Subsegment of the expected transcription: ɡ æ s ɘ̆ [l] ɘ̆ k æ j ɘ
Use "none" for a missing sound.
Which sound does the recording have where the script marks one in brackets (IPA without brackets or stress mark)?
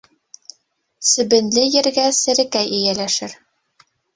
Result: ɾ